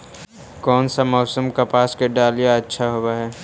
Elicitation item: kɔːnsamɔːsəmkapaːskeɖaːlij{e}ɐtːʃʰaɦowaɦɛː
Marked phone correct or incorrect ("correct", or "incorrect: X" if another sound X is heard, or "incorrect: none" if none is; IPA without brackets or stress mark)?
incorrect: a